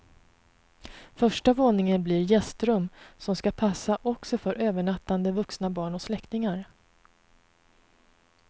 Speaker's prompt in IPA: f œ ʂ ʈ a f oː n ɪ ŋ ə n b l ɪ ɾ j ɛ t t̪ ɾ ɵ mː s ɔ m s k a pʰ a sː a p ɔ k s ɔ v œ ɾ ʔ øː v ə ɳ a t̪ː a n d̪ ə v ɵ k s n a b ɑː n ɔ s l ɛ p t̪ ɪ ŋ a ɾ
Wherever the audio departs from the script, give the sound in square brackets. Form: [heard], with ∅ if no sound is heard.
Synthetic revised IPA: f œ ʂ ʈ a [v] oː n ɪ ŋ ə n b l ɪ ɾ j ɛ [s] t̪ ɾ ɵ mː s ɔ m s k a pʰ a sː a [ʔ] ɔ k s ɔ [f] œ ɾ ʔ øː v ə ɳ a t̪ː a n d̪ ə v ɵ k s n a b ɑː [ɳ] ɔ s l ɛ [k] t̪ ɪ ŋ a ɾ